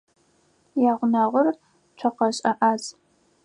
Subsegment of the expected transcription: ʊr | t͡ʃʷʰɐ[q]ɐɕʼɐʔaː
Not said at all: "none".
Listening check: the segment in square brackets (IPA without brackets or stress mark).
q